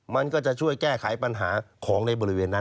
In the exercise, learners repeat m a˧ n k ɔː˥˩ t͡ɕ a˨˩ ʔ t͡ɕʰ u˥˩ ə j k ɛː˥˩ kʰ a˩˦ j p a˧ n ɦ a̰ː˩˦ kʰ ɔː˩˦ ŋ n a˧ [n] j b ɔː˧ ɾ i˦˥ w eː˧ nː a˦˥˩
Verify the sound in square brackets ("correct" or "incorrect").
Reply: incorrect